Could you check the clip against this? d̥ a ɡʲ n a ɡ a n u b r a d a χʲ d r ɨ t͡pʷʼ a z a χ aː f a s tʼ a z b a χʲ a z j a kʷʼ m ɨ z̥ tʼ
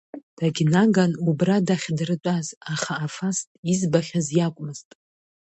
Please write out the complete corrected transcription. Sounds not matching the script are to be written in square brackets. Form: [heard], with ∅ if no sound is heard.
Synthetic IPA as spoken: d̥ a ɡʲ n a ɡ a n u b r a d a χʲ d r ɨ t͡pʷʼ a z a χ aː f a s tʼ [i] z b a χʲ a z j a kʷʼ m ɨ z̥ tʼ